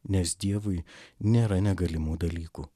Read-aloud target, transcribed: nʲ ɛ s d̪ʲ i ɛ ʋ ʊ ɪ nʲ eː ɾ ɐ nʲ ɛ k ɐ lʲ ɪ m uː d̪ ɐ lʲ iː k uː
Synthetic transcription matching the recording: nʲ ɛ s d̪ʲ i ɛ ʋ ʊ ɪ nʲ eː ɾ ɐ nʲ ɛ ɡ ɐ lʲ ɪ m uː d̪ ɐ lʲ iː k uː